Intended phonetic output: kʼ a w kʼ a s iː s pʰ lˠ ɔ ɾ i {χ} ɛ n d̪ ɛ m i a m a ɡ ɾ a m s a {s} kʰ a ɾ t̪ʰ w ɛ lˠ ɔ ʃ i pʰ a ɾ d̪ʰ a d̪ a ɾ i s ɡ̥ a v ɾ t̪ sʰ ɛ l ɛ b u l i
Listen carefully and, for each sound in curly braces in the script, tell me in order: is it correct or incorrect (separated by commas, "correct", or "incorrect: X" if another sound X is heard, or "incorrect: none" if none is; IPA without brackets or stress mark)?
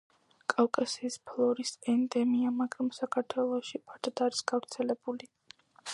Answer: incorrect: s, incorrect: none